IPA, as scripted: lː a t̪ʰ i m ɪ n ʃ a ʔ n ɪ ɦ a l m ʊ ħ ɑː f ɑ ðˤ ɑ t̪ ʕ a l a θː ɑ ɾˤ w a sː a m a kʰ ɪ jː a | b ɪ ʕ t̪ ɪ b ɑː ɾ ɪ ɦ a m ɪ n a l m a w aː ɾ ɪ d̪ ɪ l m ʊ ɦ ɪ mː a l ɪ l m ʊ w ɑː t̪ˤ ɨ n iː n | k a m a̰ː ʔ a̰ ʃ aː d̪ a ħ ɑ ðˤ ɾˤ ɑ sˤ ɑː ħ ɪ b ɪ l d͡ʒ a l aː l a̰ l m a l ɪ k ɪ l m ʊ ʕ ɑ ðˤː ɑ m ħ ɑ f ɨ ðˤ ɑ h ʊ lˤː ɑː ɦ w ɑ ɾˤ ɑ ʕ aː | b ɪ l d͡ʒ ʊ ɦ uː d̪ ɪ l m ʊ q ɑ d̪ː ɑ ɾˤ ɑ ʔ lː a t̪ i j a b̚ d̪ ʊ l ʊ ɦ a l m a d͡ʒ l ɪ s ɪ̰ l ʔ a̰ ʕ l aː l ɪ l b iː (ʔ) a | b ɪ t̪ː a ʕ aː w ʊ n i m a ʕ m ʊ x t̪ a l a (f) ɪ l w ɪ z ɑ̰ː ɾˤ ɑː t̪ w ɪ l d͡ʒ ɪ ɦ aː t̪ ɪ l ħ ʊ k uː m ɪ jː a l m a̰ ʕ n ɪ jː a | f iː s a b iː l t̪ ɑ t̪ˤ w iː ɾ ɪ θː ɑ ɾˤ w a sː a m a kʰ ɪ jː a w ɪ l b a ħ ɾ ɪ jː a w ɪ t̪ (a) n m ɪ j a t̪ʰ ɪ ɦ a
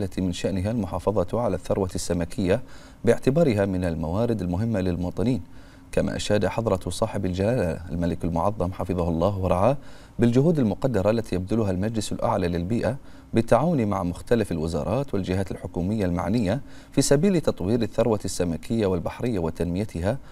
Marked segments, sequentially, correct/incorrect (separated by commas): correct, correct, correct